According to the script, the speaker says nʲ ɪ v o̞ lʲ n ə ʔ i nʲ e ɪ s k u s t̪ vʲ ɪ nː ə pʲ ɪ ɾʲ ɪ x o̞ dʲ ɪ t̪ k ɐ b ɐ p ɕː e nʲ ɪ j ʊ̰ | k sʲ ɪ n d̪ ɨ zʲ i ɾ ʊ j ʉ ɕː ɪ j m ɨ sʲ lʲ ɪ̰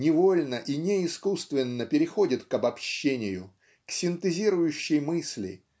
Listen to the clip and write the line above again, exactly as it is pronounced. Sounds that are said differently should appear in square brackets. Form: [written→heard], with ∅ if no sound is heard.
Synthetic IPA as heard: nʲ ɪ v o̞ lʲ n ə ʔ i nʲ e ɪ s k u s t̪ vʲ ɪ nː ə pʲ ɪ ɾʲ ɪ x o̞ dʲ ɪ t̪ k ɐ b ɐ p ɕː e nʲ ɪ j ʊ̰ | k sʲ ɪ n [d̪→t̪] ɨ zʲ i ɾ ʊ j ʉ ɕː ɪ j m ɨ sʲ lʲ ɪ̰